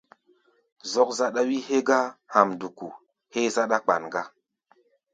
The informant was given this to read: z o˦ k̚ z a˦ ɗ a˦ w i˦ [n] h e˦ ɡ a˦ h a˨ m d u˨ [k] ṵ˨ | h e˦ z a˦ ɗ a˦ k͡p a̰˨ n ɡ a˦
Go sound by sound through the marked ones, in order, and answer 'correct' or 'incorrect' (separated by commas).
incorrect, correct